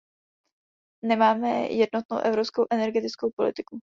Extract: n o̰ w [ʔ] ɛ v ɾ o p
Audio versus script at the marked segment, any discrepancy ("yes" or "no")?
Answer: no